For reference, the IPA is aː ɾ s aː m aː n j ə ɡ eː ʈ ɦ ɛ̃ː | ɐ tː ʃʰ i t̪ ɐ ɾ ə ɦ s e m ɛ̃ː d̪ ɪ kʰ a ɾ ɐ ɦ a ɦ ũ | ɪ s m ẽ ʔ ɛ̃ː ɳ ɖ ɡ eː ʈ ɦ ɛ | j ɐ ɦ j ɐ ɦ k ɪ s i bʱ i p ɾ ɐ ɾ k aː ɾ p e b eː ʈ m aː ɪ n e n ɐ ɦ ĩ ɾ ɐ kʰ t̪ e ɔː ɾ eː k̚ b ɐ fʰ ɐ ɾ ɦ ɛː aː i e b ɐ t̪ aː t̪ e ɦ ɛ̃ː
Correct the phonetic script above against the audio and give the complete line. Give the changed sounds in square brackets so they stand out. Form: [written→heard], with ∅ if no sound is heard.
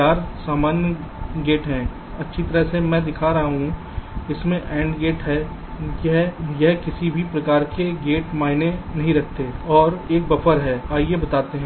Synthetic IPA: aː ɾ s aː m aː n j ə ɡ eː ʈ ɦ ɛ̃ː | ɐ tː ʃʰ i t̪ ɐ ɾ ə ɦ s e m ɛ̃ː d̪ ɪ kʰ a ɾ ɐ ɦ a ɦ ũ | ɪ s m ẽ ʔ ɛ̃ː ɳ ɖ ɡ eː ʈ ɦ ɛ | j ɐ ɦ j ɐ ɦ k ɪ s i bʱ i p ɾ ɐ [ɾ→∅] k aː ɾ [p→k] e [b→ɡ] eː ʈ m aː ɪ n e n ɐ ɦ ĩ ɾ ɐ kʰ t̪ e ɔː ɾ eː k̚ b ɐ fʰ [ɐ→ə] ɾ ɦ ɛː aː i e b ɐ t̪ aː t̪ e ɦ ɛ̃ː